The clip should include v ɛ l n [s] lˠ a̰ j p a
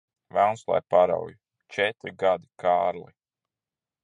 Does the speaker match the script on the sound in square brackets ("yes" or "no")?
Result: yes